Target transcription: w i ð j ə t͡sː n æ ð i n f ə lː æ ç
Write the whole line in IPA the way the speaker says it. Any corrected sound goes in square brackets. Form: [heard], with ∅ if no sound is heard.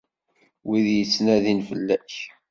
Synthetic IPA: w i ð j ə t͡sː n æ ð i n f ə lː æ ç